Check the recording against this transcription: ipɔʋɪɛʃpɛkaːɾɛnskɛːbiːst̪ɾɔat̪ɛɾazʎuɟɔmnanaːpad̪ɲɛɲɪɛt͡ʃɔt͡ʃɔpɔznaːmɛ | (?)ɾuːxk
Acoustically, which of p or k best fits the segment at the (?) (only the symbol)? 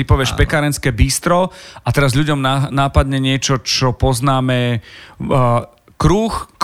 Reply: k